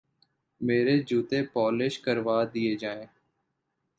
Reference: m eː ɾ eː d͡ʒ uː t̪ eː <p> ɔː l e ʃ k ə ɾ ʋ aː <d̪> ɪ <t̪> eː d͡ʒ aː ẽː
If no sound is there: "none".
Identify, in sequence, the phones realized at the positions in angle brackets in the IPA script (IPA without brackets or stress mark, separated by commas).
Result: p, d̪, none